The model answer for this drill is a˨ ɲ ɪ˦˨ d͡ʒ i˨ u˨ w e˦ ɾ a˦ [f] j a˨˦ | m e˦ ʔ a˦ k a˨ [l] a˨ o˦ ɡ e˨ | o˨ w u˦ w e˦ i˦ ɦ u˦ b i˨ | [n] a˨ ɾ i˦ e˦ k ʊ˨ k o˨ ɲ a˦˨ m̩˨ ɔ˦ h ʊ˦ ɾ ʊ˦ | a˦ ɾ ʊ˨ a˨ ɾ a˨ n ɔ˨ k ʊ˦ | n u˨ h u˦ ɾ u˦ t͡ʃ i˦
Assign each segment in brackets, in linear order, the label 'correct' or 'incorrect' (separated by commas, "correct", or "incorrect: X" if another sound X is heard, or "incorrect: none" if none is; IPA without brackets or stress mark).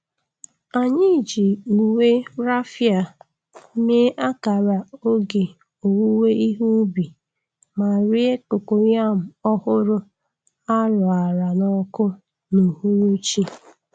correct, incorrect: ɾ, incorrect: m